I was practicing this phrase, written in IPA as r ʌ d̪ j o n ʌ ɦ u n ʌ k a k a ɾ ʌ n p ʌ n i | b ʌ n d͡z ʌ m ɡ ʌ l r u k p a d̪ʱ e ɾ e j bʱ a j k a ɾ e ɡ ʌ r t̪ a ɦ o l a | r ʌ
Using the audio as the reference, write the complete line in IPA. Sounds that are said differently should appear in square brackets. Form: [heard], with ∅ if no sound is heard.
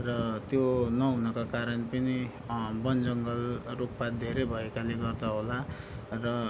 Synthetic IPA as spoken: r ʌ [t̪] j o n ʌ ɦ u n ʌ k a k a ɾ ʌ n p ʌ n i | b ʌ n d͡z ʌ [ŋ] ɡ ʌ l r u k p a d̪ʱ e ɾ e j bʱ [ʌ] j k a [l] e ɡ ʌ r [d̪] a ɦ o l a | r ʌ

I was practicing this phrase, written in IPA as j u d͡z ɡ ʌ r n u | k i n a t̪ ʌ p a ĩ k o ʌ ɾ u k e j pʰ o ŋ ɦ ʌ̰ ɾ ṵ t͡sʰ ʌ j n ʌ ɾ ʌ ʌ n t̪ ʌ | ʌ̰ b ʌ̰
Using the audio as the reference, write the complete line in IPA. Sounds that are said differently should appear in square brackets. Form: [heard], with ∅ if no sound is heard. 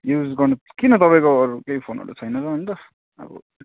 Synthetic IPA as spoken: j u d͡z ɡ ʌ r n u | k i n [ʌ] t̪ ʌ p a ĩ k o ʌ ɾ u k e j pʰ o [n] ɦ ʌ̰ ɾ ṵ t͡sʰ ʌ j n ʌ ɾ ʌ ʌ n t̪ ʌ | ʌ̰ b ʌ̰

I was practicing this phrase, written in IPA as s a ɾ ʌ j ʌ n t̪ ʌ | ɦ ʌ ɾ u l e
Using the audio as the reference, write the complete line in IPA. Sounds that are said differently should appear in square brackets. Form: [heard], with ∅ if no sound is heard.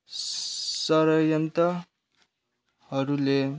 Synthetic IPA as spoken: s [ʌ] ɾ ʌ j ʌ n t̪ ʌ | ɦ ʌ ɾ u l e

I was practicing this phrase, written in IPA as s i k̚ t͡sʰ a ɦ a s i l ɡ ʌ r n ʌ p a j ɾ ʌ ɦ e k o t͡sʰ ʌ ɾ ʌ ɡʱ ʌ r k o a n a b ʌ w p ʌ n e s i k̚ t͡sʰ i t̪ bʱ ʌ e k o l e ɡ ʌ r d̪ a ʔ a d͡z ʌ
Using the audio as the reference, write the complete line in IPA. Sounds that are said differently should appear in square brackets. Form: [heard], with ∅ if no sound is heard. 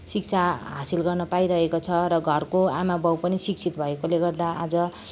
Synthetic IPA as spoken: s i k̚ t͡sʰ a ɦ a s i l ɡ ʌ r n ʌ p a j ɾ ʌ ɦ e k o t͡sʰ ʌ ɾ ʌ ɡʱ ʌ r k o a [m] a b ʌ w p ʌ n [i] s i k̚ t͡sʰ i t̪ bʱ ʌ e k o l e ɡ ʌ r d̪ a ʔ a d͡z ʌ

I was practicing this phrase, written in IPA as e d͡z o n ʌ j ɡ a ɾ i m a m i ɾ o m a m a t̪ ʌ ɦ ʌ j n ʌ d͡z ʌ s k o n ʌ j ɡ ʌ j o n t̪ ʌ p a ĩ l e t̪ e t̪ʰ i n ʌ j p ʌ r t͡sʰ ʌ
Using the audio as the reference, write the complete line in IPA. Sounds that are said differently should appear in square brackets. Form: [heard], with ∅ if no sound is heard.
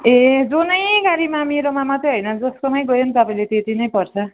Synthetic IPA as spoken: e d͡z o n ʌ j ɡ a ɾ i m a m i ɾ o m a m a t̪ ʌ ɦ ʌ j n ʌ d͡z ʌ s k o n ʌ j ɡ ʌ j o n t̪ ʌ p a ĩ l e t̪ e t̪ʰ i n ʌ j p ʌ r t͡sʰ ʌ

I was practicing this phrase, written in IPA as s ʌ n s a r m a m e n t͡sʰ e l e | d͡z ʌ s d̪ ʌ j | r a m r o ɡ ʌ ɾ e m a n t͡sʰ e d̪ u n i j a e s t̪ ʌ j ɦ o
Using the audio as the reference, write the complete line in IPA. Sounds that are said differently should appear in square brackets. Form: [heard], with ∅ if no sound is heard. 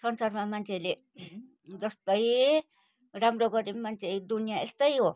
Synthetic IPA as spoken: s ʌ n s a r m a m [a] n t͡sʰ e l e | d͡z ʌ s [t̪] ʌ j | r a m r o ɡ ʌ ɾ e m a n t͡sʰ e d̪ u n i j a e s t̪ ʌ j ɦ o

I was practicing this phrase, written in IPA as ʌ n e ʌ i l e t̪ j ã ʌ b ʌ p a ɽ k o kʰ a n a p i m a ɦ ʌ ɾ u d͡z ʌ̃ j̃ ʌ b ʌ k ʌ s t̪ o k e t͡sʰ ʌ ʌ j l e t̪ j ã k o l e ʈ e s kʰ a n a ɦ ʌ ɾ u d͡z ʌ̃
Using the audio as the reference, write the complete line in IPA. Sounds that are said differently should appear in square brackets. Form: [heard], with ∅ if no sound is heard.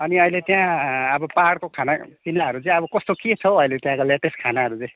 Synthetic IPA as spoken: ʌ n [i] ʌ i l e t̪ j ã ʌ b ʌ p a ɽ k o kʰ a n a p i [n] a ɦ ʌ ɾ u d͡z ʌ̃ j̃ ʌ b ʌ k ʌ s t̪ o k e t͡sʰ ʌ ʌ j l e t̪ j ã k o l e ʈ e s kʰ a n a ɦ ʌ ɾ u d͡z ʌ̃

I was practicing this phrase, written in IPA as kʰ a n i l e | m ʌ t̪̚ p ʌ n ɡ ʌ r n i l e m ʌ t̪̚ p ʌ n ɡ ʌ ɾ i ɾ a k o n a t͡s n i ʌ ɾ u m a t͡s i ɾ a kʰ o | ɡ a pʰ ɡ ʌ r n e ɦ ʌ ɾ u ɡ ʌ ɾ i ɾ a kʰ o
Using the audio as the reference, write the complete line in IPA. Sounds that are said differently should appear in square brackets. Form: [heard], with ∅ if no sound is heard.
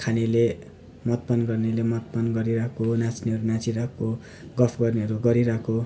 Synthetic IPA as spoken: kʰ a n i l e | m ʌ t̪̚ p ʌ n ɡ ʌ r n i l e m ʌ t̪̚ p ʌ n ɡ ʌ ɾ i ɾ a k o n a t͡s n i ʌ ɾ u [n] a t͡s i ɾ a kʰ o | ɡ [ʌ] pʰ ɡ ʌ r n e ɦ ʌ ɾ u ɡ ʌ ɾ i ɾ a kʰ o

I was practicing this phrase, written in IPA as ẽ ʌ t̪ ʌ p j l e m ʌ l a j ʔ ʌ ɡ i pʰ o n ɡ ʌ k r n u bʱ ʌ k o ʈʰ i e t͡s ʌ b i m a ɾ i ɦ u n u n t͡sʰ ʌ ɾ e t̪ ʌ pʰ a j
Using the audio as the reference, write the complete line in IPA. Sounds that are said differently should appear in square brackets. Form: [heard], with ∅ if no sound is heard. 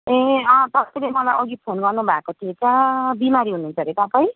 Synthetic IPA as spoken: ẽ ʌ t̪ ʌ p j l e m ʌ l a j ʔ ʌ ɡ i pʰ o n ɡ ʌ [∅] r n u bʱ [a] k o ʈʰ i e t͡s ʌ b i m a ɾ i ɦ u n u n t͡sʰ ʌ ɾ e t̪ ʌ [p] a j

